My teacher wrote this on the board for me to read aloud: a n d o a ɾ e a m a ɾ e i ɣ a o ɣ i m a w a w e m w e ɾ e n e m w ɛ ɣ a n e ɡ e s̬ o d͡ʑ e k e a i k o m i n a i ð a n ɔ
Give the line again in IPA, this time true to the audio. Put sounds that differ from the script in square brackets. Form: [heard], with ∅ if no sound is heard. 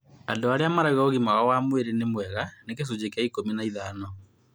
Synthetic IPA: a n d o a ɾ e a m a ɾ [a] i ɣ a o ɣ i m a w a w [a] m w e ɾ e n e m w ɛ ɣ a n e [k] e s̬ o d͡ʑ e k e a i k o m i n a i ð a n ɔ

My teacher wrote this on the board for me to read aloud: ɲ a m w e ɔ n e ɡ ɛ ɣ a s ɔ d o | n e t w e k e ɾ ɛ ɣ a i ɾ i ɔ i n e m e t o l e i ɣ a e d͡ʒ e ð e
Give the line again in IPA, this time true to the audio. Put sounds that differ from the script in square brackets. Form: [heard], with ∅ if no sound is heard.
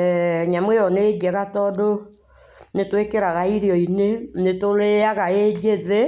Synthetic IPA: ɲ a m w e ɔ n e ɡ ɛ ɣ a [t] ɔ d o | n e t w e k e ɾ [a] ɣ a i ɾ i ɔ i n e [n] e t o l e [a] ɣ a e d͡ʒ e ð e

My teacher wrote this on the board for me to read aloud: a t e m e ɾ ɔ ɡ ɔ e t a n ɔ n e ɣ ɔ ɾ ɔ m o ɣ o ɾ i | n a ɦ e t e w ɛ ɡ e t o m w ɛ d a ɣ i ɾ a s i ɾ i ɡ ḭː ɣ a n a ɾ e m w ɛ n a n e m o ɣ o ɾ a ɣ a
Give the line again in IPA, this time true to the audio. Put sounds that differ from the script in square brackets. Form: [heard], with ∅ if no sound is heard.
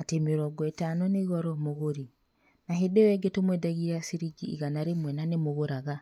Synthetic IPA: a t e m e ɾ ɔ ɡ ɔ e t a n ɔ n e ɣ ɔ ɾ ɔ m o ɣ o ɾ i | n a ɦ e [d] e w ɛ ɡ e t o m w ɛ d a ɣ i ɾ a s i ɾ i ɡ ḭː ɣ a n a ɾ e m w ɛ n a n e m o ɣ o ɾ a ɣ a

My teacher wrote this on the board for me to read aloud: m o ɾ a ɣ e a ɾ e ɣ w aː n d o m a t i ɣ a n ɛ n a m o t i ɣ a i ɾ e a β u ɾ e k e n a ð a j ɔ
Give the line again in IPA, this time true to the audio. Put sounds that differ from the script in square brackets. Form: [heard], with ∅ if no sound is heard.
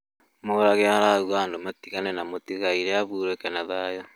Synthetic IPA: m o ɾ a ɣ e a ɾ [a] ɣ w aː n d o m a t i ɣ a n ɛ n a m o t i ɣ a i ɾ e a β u ɾ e k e n a ð a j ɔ

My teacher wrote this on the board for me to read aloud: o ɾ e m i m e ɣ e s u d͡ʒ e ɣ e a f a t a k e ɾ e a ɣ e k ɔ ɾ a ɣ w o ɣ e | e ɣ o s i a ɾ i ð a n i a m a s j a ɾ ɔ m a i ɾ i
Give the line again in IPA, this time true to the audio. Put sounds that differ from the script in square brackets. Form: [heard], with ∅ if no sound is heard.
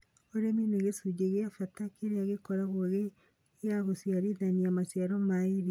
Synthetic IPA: o ɾ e m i [n] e ɣ e s u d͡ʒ e ɣ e a f a t a k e ɾ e a ɣ e k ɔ ɾ a ɣ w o ɣ e | [a] ɣ o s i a ɾ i ð a n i a m a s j a ɾ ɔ m a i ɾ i

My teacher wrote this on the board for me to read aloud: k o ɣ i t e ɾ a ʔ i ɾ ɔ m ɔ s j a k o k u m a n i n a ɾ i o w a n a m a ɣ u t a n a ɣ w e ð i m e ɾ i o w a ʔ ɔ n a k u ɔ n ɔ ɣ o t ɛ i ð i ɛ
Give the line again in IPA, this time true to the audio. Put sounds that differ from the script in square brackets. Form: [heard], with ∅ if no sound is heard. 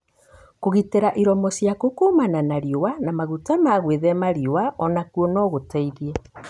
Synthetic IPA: k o ɣ i t e ɾ a ʔ i ɾ ɔ m ɔ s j a k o k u m a n [a] n a ɾ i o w a n a m a ɣ u t a [m] a ɣ w e ð [ɛ] m [a] ɾ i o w a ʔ ɔ n a k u ɔ n ɔ ɣ o t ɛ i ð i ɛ

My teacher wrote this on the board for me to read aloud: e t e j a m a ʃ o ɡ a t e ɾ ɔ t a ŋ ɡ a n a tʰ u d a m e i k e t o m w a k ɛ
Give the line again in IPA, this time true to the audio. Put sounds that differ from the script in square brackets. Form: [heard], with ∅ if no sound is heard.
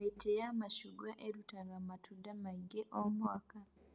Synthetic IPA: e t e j a m a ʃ [u] ɡ a [ʔ] e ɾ [u] t a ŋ ɡ a [m] a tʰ u d a m [a] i [ɡ] e [ʔ] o m w a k [a]

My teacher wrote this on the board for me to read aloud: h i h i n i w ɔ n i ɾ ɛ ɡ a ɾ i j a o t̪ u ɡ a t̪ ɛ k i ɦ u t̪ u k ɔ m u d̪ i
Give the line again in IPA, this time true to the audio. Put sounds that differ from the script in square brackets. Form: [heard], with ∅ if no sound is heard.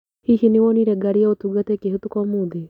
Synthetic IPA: h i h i n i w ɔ n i ɾ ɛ ɡ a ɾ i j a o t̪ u ɡ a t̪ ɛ k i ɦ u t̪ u k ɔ m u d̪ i

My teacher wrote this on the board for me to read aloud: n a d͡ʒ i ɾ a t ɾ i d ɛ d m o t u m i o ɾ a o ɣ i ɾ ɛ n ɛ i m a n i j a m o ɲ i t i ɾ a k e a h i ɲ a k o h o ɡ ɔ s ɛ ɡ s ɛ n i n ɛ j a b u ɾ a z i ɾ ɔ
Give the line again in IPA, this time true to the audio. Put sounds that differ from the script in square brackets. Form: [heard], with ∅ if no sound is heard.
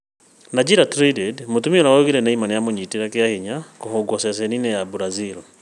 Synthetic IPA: n a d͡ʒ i ɾ a t ɾ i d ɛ d m o t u m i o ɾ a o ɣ i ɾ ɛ n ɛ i m a n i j a m o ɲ i t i ɾ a k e a h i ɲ a k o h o ɡ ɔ s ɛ [∅] s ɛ n i n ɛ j a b u ɾ a z i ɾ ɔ

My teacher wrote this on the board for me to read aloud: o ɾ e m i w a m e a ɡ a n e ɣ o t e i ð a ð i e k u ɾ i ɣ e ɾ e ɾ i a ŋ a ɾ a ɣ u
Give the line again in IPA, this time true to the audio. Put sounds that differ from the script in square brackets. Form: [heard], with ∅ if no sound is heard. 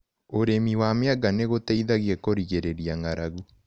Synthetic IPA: o ɾ e m i w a m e a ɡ a n e ɣ o t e i ð a [ɣ] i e k [o] ɾ i ɣ e ɾ e ɾ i a ŋ a ɾ a ɣ u

